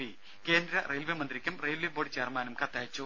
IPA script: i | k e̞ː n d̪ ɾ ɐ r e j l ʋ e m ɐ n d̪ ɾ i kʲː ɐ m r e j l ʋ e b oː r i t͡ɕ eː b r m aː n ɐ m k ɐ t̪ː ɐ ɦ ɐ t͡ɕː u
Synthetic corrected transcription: i | k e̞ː n d̪ ɾ ɐ r e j l ʋ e m ɐ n d̪ ɾ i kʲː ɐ m r e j l ʋ e b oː ɽ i t͡ɕ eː r m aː n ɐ m k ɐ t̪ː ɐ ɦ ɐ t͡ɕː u

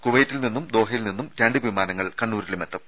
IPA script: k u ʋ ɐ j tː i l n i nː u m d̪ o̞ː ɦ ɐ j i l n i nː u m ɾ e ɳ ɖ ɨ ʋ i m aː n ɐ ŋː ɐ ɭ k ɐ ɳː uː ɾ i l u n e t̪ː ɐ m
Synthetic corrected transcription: k u ʋ ɐ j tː i l n i nː u m d̪ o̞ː ɦ ɐ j i l n i nː u m ɾ e ɳ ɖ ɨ ʋ i m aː n ɐ ŋː ɐ ɭ k ɐ ɳː uː ɾ i l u m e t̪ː ɐ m

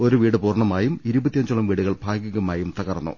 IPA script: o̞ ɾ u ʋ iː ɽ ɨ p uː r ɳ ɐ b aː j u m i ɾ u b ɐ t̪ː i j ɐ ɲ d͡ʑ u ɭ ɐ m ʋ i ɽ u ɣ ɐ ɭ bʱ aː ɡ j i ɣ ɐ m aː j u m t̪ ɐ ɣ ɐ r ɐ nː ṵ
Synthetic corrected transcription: o̞ ɾ u ʋ iː ɽ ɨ p uː r ɳ ɐ m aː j u m i ɾ u b ɐ t̪ː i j ɐ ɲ d͡ʑ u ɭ ɐ m ʋ iː ɽ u ɣ ɐ ɭ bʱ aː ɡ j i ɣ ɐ m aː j u m t̪ ɐ ɣ ɐ r ɐ nː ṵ

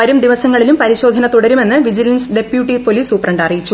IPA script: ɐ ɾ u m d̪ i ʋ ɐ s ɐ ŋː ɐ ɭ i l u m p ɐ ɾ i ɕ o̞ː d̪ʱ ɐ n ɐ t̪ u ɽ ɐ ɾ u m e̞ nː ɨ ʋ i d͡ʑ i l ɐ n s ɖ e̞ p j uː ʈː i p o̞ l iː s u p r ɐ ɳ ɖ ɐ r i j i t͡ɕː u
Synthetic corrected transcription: ɐ ɾ u m d̪ i ʋ ɐ s ɐ ŋː ɐ ɭ i l u m p ɐ ɾ i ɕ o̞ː d̪ʱ ɐ n ɐ t̪ u ɽ ɐ ɾ u m e̞ nː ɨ ʋ i d͡ʑ i l ɐ n s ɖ e̞ p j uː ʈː i p o̞ l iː s u p r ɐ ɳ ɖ ɐ r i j i t͡ɕː u

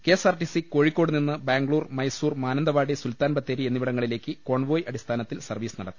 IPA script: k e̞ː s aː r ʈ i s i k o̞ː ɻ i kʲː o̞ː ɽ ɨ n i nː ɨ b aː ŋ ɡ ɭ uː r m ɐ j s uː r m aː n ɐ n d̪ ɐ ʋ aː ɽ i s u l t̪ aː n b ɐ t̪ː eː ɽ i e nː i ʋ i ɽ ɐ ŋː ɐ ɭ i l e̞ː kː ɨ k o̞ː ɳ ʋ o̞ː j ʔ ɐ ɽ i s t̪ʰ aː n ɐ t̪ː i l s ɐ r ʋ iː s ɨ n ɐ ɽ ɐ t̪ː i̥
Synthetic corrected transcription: k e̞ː s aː r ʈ i s i k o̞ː ɻ i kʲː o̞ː ɽ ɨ n i nː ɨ b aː ŋ ɡ ɭ uː r m ɐ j s uː r m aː n ɐ n d̪ ɐ ʋ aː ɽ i s u l t̪ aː n b ɐ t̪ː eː ɾ i e nː i ʋ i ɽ ɐ ŋː ɐ ɭ i l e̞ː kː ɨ k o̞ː ɳ ʋ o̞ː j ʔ ɐ ɽ i s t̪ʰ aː n ɐ t̪ː i l s ɐ r ʋ iː s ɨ n ɐ ɽ ɐ t̪ː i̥

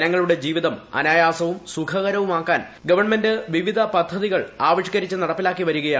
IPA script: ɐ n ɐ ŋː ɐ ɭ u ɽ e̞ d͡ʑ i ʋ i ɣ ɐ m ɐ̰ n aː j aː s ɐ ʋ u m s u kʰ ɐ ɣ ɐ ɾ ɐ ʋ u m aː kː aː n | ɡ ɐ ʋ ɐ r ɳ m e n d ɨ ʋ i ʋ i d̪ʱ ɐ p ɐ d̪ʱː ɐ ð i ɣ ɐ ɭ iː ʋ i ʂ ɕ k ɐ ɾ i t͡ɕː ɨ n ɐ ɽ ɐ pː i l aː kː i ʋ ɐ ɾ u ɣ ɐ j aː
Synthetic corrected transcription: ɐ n ɐ ŋː ɐ ɭ u ɽ e̞ d͡ʑ iː ʋ i ð ɐ m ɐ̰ n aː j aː s ɐ ʋ u m s u kʰ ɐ ɣ ɐ ɾ ɐ ʋ u m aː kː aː n | ɡ ɐ ʋ ɐ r ɳ m e n d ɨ ʋ i ʋ i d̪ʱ ɐ p ɐ d̪ʱː ɐ ð i ɣ ɐ ɭ aː ʋ i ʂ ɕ k ɐ ɾ i t͡ɕː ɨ n ɐ ɽ ɐ pː i l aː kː i ʋ ɐ ɾ u ɣ ɐ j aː

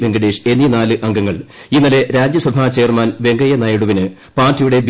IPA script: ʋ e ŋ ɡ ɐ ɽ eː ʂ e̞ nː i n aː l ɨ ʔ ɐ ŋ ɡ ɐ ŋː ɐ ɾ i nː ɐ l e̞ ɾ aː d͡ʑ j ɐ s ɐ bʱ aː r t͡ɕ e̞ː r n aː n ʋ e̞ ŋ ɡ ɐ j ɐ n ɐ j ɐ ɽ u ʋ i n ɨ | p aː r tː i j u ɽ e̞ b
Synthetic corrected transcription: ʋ e ŋ ɡ ɐ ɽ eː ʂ e̞ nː i n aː l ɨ ʔ ɐ ŋ ɡ ɐ ŋː ɐ ɭ i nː ɐ l e̞ ɾ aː d͡ʑ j ɐ s ɐ bʱ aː t͡ɕ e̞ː r m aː n ʋ e̞ ŋ ɡ ɐ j ɐ n ɐ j ɐ ɽ u ʋ i n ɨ | p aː r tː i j u ɽ e̞ b

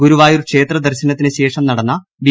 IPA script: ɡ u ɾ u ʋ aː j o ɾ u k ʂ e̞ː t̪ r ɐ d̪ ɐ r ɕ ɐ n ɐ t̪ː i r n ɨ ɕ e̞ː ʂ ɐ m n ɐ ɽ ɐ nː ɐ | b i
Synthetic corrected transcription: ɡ u ɾ u ʋ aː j o ɾ u k ʂ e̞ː t̪ r ɐ d̪ ɐ r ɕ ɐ n ɐ t̪ː i n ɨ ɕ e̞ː ʂ ɐ m n ɐ ɽ ɐ nː ɐ | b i

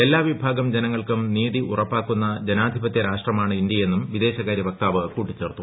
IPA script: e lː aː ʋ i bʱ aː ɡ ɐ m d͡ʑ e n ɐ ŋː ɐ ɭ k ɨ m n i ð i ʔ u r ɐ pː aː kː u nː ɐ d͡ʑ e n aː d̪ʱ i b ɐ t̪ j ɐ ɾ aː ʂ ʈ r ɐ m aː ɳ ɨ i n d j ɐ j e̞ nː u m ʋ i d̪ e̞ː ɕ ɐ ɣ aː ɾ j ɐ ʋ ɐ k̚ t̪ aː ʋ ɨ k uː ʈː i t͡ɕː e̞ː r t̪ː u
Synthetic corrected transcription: e lː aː ʋ i bʱ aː ɡ ɐ m d͡ʑ e n ɐ ŋː ɐ ɭ k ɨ m n iː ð i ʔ u r ɐ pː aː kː u nː ɐ d͡ʑ e n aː d̪ʱ i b ɐ t̪ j ɐ ɾ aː ʂ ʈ r ɐ m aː ɳ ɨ i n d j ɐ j e̞ nː u m ʋ i d̪ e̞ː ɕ ɐ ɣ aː ɾ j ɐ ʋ ɐ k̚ t̪ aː ʋ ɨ k uː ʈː i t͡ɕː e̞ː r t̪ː u

